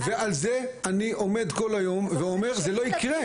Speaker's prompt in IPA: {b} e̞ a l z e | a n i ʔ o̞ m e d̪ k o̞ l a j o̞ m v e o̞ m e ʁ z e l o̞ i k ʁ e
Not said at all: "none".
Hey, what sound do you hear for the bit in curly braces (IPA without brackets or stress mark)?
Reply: v